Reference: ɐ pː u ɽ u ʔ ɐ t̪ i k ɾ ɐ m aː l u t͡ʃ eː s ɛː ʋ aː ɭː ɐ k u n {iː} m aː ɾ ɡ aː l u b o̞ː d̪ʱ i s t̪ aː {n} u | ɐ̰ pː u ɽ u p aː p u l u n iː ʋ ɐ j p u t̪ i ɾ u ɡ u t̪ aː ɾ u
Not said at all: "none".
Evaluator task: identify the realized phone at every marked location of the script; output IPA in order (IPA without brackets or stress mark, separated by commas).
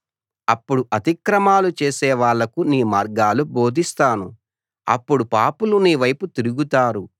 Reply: iː, n